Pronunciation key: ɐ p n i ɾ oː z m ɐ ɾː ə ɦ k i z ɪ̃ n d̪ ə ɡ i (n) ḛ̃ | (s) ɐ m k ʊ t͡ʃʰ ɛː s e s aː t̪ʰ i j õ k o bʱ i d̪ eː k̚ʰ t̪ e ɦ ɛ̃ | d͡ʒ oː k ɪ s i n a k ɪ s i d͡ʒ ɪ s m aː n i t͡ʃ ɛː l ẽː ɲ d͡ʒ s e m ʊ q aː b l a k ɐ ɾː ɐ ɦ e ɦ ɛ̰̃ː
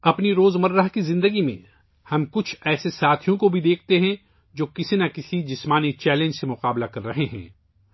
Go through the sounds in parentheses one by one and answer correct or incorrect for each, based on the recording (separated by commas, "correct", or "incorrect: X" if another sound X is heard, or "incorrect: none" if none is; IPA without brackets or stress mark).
incorrect: m, incorrect: h